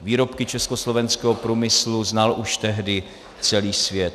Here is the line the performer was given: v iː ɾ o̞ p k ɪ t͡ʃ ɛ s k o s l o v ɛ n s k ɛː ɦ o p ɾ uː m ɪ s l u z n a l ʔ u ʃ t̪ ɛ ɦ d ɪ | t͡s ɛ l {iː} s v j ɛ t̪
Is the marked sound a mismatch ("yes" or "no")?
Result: no